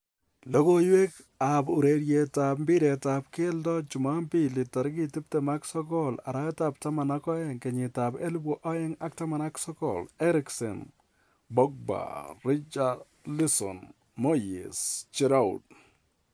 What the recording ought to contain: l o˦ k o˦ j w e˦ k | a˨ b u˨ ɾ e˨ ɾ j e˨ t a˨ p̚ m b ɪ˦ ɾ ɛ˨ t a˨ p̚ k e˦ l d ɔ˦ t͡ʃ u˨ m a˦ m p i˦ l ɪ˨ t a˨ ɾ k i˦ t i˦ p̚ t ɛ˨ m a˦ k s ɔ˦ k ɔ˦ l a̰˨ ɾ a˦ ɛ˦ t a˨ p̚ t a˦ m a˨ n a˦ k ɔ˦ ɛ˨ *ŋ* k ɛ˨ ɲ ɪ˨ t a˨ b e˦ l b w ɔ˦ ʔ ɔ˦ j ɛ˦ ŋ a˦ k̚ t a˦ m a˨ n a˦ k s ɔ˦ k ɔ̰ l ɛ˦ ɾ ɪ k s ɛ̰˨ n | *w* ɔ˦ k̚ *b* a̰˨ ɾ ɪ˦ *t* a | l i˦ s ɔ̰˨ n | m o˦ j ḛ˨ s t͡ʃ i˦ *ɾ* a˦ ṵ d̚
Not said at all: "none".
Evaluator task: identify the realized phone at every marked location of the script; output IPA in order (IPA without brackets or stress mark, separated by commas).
ŋ, b, b, t͡ʃ, ɾ